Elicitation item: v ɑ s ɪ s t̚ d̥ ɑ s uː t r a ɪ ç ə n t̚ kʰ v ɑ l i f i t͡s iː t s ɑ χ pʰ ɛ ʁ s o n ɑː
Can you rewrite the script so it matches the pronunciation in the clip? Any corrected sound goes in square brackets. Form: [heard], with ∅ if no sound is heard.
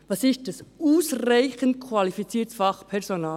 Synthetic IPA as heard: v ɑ s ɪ s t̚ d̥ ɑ s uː [s] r a ɪ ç ə n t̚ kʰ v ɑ l i f i t͡s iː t [f] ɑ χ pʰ ɛ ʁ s o n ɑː

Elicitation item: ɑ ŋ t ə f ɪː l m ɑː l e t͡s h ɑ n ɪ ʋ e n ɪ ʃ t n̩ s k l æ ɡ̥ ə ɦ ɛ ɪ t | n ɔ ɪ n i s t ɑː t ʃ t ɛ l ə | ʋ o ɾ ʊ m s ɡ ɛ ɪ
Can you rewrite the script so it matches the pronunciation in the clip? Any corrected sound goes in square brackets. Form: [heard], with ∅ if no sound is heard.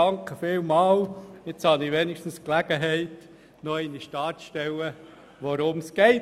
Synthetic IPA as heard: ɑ ŋ [k] ə f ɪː l m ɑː l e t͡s h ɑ n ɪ ʋ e n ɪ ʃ t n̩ s k l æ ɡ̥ ə ɦ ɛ ɪ t | n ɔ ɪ n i [ʃ] t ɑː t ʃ t ɛ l ə | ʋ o ɾ ʊ m s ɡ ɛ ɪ

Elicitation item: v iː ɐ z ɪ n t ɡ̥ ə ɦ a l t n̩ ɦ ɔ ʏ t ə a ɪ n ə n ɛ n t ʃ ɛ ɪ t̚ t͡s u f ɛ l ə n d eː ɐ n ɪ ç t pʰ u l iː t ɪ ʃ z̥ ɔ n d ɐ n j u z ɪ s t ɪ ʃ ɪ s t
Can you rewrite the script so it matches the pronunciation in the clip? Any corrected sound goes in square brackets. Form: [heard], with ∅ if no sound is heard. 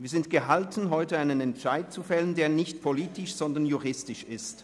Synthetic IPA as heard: v iː ɐ z ɪ n t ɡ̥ ə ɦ a l t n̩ ɦ ɔ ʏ t ə a ɪ n ə n ɛ n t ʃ [a] ɪ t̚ t͡s u f ɛ l ə n d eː ɐ n ɪ ç t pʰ [o] l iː t ɪ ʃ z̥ ɔ n d ɐ n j u [ʁ] ɪ s t ɪ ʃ ɪ s t

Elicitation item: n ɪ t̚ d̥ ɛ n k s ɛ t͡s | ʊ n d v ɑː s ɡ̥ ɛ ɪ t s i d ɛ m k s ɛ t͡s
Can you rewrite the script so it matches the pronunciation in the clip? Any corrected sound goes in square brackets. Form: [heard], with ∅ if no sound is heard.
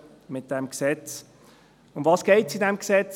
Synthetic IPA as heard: [m] ɪ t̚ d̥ ɛ [m] k s ɛ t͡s | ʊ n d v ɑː s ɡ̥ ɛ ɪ t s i d ɛ m k s ɛ t͡s

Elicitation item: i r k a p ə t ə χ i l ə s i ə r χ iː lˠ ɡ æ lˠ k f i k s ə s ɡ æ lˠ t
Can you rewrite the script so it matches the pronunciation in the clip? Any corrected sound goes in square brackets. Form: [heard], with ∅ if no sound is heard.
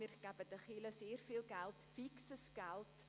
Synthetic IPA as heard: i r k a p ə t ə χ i l ə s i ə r [f] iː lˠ ɡ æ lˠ [t] f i k s ə s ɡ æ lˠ t

